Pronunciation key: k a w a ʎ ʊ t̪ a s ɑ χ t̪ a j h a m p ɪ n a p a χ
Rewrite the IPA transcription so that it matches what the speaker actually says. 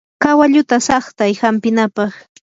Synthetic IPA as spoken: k a w a ʎ ʊ t̪ a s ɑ χ t̪ a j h a m p ɪ n a p ɑ χ